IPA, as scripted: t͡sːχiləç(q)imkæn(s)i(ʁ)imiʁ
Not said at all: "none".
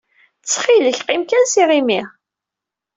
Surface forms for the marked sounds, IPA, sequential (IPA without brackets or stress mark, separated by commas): q, s, ʁ